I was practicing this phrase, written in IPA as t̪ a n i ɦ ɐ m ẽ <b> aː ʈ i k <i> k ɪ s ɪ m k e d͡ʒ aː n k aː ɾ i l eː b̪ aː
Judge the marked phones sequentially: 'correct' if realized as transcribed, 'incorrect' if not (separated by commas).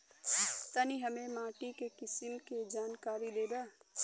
incorrect, incorrect